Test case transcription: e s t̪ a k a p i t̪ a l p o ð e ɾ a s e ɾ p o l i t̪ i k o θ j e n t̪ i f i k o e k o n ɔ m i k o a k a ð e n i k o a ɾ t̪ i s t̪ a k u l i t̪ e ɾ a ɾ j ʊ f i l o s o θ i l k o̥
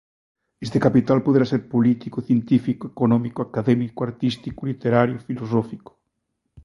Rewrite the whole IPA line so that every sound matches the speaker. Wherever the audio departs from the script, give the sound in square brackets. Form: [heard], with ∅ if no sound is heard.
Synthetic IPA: e s t̪ [e] k a p i t̪ a l p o ð e ɾ a s e ɾ p o l i t̪ i k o θ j e n t̪ i f i k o e k o n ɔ m i k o a k a ð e [m] i k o a ɾ t̪ i s t̪ [i] k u l i t̪ e ɾ a ɾ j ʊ f i l o s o [f] i [∅] k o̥